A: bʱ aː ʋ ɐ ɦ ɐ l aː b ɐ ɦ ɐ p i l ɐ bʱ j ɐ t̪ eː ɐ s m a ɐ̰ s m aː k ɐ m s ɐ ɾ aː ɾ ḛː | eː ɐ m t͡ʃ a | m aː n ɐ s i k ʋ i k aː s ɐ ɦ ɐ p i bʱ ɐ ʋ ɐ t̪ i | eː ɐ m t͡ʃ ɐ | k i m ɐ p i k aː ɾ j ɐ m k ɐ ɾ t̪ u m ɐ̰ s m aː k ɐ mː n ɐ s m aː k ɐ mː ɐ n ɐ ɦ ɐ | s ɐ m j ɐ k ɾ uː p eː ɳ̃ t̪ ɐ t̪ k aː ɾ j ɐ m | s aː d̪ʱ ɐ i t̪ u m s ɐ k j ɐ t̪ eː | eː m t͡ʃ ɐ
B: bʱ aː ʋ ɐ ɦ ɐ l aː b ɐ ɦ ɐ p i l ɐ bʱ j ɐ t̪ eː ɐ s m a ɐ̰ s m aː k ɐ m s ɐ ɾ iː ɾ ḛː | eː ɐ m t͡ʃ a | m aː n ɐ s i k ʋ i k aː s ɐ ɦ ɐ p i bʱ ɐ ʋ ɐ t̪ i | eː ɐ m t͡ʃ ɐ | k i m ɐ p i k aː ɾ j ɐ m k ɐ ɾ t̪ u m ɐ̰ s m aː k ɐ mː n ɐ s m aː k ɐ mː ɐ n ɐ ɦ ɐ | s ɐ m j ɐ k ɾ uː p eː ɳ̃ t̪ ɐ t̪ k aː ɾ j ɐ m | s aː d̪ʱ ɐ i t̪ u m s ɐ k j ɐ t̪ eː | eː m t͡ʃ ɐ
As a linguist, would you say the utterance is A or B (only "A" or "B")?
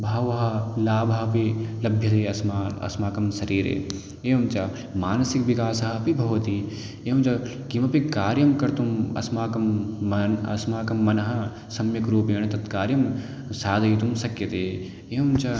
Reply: B